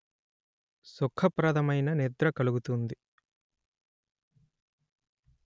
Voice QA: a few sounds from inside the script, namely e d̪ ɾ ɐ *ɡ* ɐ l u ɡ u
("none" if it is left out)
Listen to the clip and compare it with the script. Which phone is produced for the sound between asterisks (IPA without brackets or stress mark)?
k